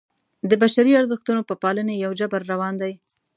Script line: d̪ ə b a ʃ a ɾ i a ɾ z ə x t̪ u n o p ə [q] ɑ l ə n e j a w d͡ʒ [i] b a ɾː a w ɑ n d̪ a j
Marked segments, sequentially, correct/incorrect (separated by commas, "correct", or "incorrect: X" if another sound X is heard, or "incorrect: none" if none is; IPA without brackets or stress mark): incorrect: p, incorrect: a